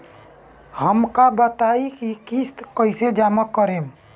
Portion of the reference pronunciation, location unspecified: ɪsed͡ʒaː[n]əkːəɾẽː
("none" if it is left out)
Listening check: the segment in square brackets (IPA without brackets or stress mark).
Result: m